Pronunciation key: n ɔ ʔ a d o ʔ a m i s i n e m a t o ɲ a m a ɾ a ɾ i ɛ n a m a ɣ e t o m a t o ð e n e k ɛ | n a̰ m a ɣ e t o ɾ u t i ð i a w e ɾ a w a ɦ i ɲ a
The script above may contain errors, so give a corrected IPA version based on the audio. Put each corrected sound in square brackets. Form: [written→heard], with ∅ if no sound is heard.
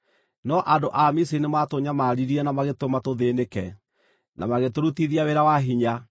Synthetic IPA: n ɔ ʔ a d o ʔ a m i s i n e m a t o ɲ a m a ɾ [a→i] ɾ i ɛ n a m a ɣ e t o m a t o ð e n e k ɛ | n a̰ m a ɣ e t o ɾ u t i ð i a w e ɾ a w a ɦ i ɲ a